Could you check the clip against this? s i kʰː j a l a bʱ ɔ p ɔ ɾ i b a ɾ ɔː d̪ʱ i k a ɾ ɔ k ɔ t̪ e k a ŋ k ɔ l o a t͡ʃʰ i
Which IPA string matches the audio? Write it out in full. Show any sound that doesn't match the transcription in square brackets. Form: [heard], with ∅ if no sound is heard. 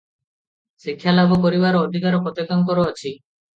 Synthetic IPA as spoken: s i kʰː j a l a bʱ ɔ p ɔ ɾ i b a ɾ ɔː d̪ʱ i k a ɾ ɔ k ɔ t̪ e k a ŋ k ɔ [ɾ] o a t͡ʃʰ i

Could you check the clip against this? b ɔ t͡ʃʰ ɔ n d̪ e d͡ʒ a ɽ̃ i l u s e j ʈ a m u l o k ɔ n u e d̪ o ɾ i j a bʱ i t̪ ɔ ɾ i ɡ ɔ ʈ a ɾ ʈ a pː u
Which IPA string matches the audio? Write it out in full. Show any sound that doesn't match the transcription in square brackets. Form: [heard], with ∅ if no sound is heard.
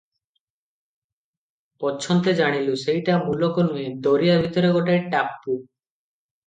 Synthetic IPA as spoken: [p] ɔ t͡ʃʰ ɔ n [t̪] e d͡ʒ a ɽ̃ i l u s e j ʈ a m u l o k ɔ n u e d̪ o ɾ i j a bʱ i t̪ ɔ ɾ [e] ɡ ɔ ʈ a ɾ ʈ a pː u

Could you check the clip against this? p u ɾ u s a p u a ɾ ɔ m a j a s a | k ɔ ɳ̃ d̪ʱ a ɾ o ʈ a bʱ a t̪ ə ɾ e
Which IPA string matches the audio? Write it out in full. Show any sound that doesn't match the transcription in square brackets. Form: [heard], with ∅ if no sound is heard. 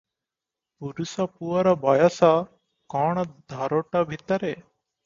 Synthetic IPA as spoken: p u ɾ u s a p u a ɾ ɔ [b] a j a s a | k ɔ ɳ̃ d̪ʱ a ɾ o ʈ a bʱ [i] t̪ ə ɾ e

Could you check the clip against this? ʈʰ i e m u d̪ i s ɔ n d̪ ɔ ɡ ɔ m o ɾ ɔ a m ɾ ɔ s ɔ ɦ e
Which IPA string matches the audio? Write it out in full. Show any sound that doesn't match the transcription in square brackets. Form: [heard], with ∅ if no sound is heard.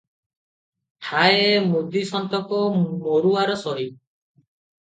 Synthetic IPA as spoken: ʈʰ [a] e m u d̪ i s ɔ n [t̪] ɔ [k] ɔ m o ɾ [u] a [∅] ɾ ɔ s ɔ ɦ [i]

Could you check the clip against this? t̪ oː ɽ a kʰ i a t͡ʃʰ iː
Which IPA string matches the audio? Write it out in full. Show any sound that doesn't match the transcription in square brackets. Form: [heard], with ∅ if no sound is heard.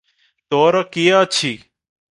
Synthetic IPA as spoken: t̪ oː [ɾ] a [k] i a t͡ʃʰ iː

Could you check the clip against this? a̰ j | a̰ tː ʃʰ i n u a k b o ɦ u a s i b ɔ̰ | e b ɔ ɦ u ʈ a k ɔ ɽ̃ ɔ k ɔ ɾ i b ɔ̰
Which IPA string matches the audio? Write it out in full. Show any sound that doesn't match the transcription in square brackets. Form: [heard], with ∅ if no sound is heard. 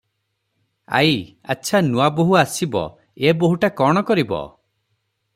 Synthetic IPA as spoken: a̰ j | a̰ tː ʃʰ [a] n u a [∅] b o ɦ u a s i b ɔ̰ | e b [o] ɦ u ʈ a k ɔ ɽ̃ ɔ k ɔ ɾ i b ɔ̰

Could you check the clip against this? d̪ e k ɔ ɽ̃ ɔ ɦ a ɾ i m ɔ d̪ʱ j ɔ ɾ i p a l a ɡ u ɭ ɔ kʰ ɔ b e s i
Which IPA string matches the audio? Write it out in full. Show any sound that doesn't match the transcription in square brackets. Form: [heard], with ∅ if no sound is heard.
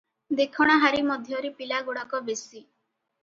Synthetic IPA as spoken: d̪ e [kʰ] ɔ ɽ̃ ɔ ɦ a ɾ i m ɔ d̪ʱ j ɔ ɾ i p [i] l a ɡ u [ɽ] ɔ [k] ɔ b e s i

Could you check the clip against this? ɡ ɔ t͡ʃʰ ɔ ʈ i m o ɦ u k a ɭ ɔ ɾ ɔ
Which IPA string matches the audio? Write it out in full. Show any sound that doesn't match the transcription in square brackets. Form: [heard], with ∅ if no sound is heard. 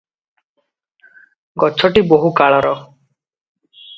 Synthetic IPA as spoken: ɡ ɔ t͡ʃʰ ɔ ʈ i [b] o ɦ u k a ɭ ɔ ɾ ɔ

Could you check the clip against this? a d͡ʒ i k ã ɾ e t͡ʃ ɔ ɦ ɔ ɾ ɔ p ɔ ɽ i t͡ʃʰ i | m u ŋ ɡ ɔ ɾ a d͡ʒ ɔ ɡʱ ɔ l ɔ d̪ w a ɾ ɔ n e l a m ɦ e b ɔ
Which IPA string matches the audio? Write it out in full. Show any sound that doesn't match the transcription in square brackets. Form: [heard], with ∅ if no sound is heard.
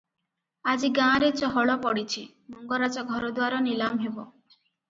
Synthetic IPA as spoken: a d͡ʒ i [ɡ] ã ɾ e t͡ʃ ɔ ɦ ɔ [ɭ] ɔ p ɔ ɽ i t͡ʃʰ i | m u ŋ ɡ ɔ ɾ a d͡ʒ ɔ ɡʱ ɔ [ɾ] ɔ d̪ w a ɾ ɔ n [i] l a m ɦ e b ɔ

